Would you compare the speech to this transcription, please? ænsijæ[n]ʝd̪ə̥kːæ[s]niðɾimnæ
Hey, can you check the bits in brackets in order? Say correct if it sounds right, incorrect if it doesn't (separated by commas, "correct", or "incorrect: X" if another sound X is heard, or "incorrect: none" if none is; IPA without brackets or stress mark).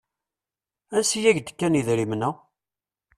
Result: incorrect: none, incorrect: none